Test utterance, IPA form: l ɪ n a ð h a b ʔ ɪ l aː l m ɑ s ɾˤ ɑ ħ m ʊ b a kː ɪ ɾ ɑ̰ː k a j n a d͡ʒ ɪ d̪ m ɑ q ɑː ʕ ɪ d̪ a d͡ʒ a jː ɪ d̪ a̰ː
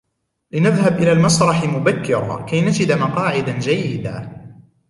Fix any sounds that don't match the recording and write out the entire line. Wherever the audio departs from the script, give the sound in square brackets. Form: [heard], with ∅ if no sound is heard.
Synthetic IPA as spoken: l ɪ n a ð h a b ʔ ɪ l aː l m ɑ s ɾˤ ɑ ħ m ʊ b a kː ɪ ɾ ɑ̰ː k a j n a d͡ʒ ɪ d̪ m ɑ q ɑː ʕ ɪ d̪ a d͡ʒ a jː ɪ d̪ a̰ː